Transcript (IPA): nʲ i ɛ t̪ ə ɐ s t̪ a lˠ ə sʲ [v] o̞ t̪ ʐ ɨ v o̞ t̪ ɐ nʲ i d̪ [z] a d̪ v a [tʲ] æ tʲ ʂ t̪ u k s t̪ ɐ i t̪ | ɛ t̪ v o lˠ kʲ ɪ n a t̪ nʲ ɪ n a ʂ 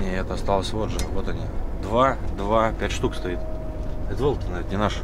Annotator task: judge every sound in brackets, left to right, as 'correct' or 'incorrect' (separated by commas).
correct, incorrect, incorrect